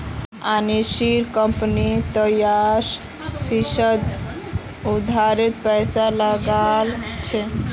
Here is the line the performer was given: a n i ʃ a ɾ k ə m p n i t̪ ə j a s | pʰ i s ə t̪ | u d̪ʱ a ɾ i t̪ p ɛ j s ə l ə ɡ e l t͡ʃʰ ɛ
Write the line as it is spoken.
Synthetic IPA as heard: a n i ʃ i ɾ k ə m p n i t̪ ə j a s | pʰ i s ə d̪ | u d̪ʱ a ɾ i t̪ p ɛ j s a l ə ɡ a l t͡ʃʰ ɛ